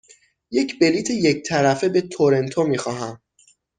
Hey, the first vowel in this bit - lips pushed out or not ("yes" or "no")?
no